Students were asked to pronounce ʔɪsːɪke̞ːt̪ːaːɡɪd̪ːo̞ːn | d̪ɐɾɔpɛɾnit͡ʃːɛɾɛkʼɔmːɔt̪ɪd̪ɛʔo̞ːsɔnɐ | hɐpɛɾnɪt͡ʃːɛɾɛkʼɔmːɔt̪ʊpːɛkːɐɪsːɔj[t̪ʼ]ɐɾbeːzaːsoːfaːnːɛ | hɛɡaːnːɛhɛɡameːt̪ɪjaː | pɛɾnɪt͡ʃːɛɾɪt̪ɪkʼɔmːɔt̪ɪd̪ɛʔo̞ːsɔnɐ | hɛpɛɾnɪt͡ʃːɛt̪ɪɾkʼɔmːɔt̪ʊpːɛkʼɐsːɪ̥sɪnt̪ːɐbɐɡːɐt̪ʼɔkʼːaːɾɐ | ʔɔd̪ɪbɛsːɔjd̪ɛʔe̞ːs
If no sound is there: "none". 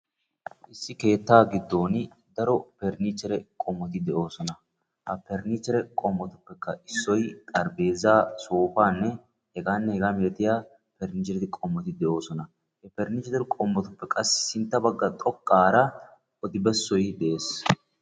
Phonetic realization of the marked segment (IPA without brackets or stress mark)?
t̪ʼ